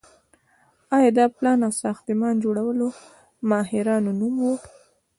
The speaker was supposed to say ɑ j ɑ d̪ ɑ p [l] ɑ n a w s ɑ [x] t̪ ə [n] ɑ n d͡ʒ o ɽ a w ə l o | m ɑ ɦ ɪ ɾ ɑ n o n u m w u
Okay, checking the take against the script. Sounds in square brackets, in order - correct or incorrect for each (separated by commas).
correct, correct, incorrect